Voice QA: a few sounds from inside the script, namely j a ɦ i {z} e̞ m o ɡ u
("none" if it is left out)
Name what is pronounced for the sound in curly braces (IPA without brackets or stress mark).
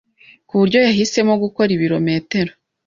s